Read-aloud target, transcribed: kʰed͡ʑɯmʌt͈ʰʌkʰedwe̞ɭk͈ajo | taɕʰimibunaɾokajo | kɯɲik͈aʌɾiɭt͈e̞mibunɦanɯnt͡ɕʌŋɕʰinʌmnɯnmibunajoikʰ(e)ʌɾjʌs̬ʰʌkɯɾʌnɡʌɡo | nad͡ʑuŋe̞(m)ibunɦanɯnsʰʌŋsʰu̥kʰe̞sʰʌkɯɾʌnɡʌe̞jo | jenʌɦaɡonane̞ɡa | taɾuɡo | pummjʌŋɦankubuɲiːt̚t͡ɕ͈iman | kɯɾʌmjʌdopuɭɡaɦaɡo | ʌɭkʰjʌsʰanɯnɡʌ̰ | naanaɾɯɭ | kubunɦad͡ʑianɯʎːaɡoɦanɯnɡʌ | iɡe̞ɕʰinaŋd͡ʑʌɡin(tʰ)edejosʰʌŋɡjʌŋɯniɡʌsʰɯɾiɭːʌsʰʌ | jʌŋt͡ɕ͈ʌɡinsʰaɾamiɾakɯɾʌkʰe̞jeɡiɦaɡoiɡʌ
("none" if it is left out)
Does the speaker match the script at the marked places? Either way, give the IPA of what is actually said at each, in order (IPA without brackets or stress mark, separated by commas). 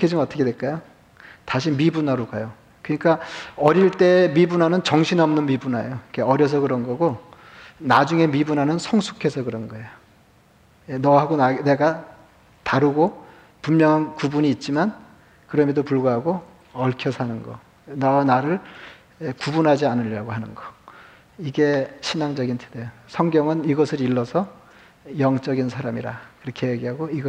e, m, tʰ